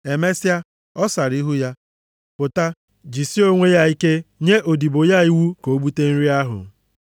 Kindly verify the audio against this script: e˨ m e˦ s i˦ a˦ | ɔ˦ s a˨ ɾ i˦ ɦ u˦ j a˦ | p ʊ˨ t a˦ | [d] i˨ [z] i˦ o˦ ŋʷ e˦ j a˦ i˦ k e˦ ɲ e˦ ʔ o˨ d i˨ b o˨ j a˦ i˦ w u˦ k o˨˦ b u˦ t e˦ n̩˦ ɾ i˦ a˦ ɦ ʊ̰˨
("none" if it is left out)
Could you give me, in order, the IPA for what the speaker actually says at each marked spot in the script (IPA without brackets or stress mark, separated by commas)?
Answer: d͡ʒ, s